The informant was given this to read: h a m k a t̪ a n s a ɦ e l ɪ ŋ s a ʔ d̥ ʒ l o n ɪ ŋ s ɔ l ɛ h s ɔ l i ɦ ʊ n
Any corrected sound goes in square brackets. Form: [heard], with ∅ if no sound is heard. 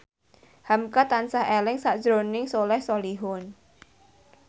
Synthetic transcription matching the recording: h a m k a t̪ a n s a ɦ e l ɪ ŋ s a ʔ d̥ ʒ [ɾ] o n ɪ ŋ s [o] l ɛ h s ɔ l i ɦ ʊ n